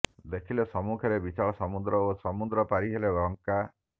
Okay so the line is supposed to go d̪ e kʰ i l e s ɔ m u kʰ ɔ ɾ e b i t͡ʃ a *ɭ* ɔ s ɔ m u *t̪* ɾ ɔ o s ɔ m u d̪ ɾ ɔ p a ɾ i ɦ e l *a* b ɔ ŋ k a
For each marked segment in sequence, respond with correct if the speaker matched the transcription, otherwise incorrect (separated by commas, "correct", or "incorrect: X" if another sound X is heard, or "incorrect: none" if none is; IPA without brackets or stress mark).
correct, incorrect: d̪, incorrect: e